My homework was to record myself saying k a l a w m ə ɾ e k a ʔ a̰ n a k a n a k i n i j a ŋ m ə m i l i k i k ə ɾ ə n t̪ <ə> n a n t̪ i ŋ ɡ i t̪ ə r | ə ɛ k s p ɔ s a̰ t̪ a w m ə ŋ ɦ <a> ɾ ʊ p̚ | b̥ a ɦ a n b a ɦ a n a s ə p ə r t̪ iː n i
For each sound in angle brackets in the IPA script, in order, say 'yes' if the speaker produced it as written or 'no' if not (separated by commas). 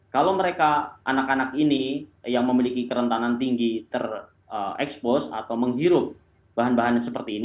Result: no, no